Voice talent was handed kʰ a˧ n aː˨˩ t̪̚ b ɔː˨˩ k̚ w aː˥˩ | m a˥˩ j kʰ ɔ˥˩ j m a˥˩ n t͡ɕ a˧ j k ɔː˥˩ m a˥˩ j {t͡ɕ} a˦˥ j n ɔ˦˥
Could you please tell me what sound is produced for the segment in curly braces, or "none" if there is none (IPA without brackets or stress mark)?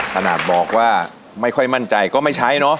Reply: t͡ɕʰ